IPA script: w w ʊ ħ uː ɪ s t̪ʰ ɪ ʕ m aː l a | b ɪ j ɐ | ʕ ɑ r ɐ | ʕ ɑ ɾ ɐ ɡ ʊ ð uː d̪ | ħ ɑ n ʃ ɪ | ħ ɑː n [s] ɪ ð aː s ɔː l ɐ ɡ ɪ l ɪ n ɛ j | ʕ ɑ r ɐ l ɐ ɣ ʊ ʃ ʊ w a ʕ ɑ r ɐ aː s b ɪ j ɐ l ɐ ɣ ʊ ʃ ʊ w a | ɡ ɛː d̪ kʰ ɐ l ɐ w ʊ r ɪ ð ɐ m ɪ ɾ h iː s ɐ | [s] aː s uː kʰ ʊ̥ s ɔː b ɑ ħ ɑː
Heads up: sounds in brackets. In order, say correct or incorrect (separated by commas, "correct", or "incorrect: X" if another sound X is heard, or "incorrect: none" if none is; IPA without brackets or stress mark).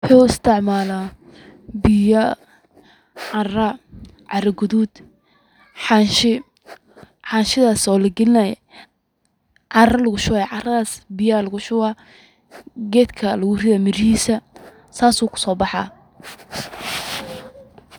incorrect: ʃ, correct